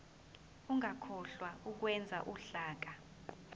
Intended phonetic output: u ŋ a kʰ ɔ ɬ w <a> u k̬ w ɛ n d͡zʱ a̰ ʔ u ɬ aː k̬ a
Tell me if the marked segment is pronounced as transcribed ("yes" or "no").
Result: yes